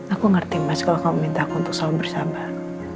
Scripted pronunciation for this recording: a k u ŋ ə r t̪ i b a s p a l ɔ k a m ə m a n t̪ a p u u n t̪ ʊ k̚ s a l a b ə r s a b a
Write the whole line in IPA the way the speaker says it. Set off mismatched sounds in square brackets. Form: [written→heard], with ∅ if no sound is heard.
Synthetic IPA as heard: a k u ŋ ə r t̪ i [b→m] a s [p→k] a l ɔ k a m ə m [a→i] n t̪ a [p→k] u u n t̪ ʊ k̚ s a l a b ə r s a b a

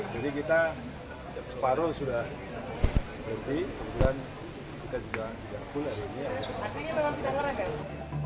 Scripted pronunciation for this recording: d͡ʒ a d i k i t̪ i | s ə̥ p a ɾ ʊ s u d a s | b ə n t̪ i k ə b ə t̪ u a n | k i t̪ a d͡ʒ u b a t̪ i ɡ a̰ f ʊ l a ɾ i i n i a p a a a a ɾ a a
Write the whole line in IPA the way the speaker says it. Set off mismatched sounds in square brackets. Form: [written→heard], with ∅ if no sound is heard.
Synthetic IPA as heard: d͡ʒ a d i k i t̪ [i→a] | s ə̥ p a ɾ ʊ s u d a [s→h] | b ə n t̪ i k ə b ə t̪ u a n | k i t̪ a d͡ʒ u [b→ɡ] a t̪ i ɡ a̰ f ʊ l a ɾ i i n i a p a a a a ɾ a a

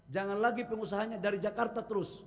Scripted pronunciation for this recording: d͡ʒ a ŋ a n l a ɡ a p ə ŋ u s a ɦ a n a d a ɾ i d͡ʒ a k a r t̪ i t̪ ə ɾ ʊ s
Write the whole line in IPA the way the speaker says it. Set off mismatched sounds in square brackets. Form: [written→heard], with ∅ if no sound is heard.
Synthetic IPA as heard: d͡ʒ a ŋ a n l a ɡ [a→i] p ə ŋ u s a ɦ a [n→ɲ] a d a ɾ i d͡ʒ a k a r t̪ [i→a] t̪ ə ɾ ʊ s

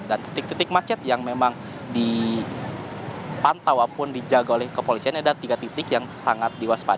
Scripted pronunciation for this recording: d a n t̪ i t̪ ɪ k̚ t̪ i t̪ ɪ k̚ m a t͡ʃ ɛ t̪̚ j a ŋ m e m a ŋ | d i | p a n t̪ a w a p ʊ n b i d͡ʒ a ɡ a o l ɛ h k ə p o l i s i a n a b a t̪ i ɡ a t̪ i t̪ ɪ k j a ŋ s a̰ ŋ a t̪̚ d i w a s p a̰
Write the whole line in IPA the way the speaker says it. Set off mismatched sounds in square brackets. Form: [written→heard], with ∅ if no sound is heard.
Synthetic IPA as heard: d a n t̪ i t̪ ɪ k̚ t̪ i t̪ ɪ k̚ m a t͡ʃ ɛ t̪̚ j a ŋ m e m a ŋ | d i | p a n t̪ a w a p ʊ n [b→d] i d͡ʒ a ɡ a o l ɛ h k ə p o l i s i a n a [b→d] a t̪ i ɡ a t̪ i t̪ ɪ k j a ŋ s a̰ ŋ a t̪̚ d i w a s p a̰

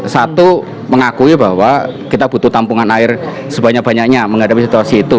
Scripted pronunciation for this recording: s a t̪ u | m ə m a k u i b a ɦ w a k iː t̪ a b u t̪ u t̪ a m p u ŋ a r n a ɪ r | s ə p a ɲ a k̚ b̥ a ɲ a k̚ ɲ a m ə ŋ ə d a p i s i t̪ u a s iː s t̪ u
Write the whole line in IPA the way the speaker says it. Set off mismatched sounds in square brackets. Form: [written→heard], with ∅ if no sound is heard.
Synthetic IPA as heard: s a t̪ u | m ə [m→ŋ] a k u i b a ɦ w a k [iː→i] t̪ a b u t̪ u t̪ a m p u ŋ a [r→∅] n a ɪ r | s ə [p→b] a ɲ a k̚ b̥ a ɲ a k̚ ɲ a m ə ŋ [ə→a] d a p i s i t̪ u a s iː [s→∅] t̪ u

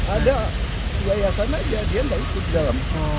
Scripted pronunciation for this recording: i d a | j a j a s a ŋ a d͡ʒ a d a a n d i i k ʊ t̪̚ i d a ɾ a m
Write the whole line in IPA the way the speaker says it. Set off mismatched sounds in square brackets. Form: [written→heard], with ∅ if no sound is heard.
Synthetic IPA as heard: [i→a] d a | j a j a s a [ŋ→n] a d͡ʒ a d [a→i] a n d [i→a] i k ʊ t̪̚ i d a [ɾ→l] a m

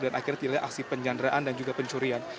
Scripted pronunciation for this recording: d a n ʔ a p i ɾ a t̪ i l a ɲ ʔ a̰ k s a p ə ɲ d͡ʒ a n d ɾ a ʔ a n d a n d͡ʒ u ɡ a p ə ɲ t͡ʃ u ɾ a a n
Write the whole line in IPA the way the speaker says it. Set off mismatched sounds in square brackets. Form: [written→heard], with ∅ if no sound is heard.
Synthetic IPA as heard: d a n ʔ a [p→k] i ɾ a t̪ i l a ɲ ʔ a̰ k s [a→i] p ə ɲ d͡ʒ a n d ɾ a ʔ a n d a n d͡ʒ u ɡ a p ə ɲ t͡ʃ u ɾ [a→i] a n

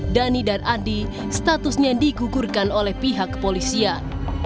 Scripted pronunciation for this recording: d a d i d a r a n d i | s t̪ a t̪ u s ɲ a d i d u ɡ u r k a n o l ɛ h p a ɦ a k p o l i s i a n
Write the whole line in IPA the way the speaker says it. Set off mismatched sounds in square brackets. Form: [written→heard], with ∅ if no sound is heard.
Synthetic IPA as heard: d a [d→n] i d a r a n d i | s t̪ a t̪ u s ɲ a d i [d→ɡ] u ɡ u r k a n o l ɛ h p [a→i] ɦ a k p o l i s i a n

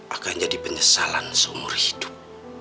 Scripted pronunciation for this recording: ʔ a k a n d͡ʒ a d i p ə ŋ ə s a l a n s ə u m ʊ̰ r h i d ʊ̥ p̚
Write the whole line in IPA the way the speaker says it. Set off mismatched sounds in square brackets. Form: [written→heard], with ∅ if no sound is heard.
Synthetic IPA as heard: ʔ a k a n d͡ʒ a d i p ə [ŋ→ɲ] ə s a l a n s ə u m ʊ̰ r h i d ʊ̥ p̚

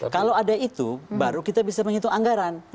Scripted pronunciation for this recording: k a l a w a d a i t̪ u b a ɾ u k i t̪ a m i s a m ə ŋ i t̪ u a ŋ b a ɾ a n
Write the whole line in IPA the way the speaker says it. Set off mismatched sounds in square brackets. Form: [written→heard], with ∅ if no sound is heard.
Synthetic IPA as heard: k a l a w a d a i t̪ u b a ɾ u k i t̪ a [m→b] i s a m ə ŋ i t̪ u a ŋ [b→ɡ] a ɾ a n

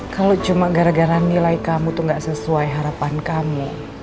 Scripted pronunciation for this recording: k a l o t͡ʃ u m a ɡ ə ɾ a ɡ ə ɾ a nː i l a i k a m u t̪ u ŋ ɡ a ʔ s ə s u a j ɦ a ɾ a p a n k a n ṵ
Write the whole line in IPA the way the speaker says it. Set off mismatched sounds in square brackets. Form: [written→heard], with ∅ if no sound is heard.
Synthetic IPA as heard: k a l o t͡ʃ u m a ɡ [ə→a] ɾ a ɡ [ə→a] ɾ a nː i l a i k a m u t̪ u ŋ ɡ a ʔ s ə s u a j ɦ a ɾ a p a n k a [n→m] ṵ

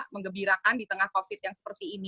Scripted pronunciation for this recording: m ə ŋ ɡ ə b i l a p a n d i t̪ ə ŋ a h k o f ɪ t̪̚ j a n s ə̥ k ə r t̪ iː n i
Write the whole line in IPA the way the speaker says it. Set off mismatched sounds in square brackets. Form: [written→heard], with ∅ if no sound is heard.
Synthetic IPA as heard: m ə ŋ ɡ ə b i [l→ɾ] a [p→k] a n d i t̪ ə ŋ a h k o f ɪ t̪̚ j a [n→ŋ] s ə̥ [k→p] ə r t̪ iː n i

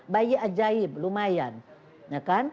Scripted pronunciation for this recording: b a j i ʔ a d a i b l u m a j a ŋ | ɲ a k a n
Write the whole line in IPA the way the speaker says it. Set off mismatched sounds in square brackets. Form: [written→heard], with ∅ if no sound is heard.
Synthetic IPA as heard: b a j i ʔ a [d→d͡ʒ] a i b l u m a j a [ŋ→n] | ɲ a k a n

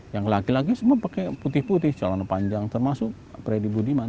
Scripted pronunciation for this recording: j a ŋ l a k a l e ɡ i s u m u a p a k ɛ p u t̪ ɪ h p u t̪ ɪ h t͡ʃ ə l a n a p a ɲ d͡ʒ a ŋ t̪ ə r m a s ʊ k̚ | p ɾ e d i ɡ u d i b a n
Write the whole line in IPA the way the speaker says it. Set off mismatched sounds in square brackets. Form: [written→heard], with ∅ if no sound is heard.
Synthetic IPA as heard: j a ŋ l a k [a→i] l [e→a] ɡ i s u m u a p a k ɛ p u t̪ ɪ h p u t̪ ɪ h t͡ʃ [ə→a] l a n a p a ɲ d͡ʒ a ŋ t̪ ə r m a s ʊ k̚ | p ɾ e d i [ɡ→b] u d i [b→m] a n

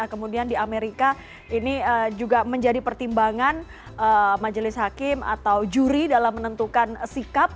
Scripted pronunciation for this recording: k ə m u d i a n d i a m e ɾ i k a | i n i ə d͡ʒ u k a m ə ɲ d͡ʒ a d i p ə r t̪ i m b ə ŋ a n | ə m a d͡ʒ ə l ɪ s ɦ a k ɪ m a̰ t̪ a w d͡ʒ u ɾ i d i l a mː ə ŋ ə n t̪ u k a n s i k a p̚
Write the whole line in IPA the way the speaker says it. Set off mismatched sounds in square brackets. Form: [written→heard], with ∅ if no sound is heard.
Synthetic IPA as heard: k ə m u d i a n d i a m e ɾ i k a | i n i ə d͡ʒ u [k→ɡ] a m ə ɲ d͡ʒ a d i p ə r t̪ i m b [ə→a] ŋ a n | ə m a d͡ʒ ə l ɪ s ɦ a k ɪ m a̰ t̪ a w d͡ʒ u ɾ i d [i→a] l a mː ə [ŋ→n] ə n t̪ u k a n s i k a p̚

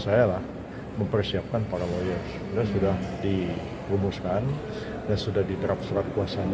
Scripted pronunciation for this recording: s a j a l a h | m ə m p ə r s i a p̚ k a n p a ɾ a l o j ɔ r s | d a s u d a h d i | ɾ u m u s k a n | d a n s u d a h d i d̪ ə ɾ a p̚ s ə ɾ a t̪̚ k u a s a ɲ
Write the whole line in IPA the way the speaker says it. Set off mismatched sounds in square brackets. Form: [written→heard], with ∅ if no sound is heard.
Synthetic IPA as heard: s a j a l a h | m ə m p ə r s i a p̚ k a n p a ɾ a l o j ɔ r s | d a s u d a h d i | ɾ u m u s k a n | d a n s u d a h d i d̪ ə ɾ a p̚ s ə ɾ a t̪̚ k u a s a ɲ

